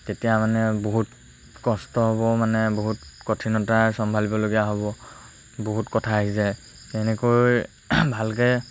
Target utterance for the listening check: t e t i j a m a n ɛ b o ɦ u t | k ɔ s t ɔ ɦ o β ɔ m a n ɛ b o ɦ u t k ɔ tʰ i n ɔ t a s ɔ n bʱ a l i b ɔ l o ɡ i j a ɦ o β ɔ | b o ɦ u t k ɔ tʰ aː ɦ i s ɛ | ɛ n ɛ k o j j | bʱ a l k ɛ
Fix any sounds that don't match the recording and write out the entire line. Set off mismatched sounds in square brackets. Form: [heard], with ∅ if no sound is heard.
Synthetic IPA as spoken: t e t i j a m a n ɛ b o ɦ u t | k ɔ s t ɔ ɦ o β ɔ m a n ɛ b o ɦ u t k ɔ tʰ i n ɔ t a s ɔ [m] bʱ a l i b ɔ l o ɡ i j a ɦ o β ɔ | b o ɦ u t k ɔ tʰ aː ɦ i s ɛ | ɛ n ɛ k o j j | bʱ a l k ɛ